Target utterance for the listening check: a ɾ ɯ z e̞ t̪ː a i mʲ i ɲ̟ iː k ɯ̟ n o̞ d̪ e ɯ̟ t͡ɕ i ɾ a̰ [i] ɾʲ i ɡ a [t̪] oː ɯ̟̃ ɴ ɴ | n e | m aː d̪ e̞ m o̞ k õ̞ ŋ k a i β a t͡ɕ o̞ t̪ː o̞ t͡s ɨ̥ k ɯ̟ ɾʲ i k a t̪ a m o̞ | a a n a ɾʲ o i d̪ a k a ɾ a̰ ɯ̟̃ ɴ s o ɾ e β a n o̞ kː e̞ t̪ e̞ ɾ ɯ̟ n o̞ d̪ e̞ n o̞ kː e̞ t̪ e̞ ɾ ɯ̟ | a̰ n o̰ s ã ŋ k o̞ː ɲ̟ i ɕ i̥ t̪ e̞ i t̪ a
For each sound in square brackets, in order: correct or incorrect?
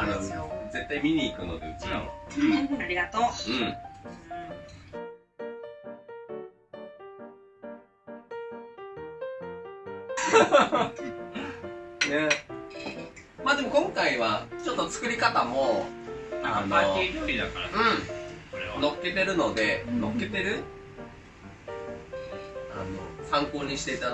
incorrect: a, correct

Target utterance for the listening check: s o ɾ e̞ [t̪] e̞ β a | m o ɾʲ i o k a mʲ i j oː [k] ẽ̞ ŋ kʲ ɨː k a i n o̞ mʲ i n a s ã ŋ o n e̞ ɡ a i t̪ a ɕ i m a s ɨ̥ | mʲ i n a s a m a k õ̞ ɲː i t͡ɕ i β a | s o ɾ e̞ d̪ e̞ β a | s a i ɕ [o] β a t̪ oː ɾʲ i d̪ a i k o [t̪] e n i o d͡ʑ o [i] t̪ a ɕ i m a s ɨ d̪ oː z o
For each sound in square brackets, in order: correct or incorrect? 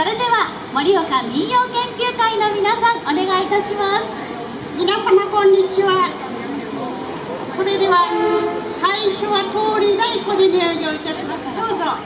incorrect: d̪, correct, correct, incorrect: d̪, correct

